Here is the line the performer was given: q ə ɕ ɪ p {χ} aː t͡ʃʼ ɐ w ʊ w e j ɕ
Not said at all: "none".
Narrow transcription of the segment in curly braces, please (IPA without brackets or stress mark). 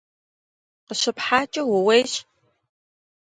ħ